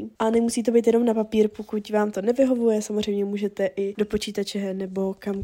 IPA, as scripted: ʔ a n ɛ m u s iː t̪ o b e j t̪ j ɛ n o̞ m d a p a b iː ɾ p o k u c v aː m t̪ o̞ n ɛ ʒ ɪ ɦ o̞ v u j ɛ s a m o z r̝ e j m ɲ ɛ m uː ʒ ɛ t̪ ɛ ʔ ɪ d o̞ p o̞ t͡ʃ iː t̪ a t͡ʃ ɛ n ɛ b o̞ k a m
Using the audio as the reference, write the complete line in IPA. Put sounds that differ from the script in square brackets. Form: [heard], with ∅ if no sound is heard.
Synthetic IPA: ʔ a n ɛ m u s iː t̪ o b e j t̪ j ɛ n o̞ m [n] a p a [p] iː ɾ p o k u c v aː m t̪ o̞ n ɛ [v] ɪ ɦ o̞ v u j ɛ s a m o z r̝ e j m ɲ ɛ m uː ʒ ɛ t̪ ɛ ʔ ɪ d o̞ p o̞ t͡ʃ iː t̪ a t͡ʃ ɛ n ɛ b o̞ k a m